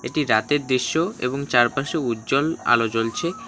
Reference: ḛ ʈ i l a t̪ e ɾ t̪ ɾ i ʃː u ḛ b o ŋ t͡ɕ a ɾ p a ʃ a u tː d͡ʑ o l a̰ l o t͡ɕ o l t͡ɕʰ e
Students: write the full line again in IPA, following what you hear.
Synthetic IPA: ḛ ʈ i ɾ a t̪ e ɾ d̪ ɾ i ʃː o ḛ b o ŋ t͡ɕ a ɾ p a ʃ e u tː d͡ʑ o l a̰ l o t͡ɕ o l t͡ɕʰ e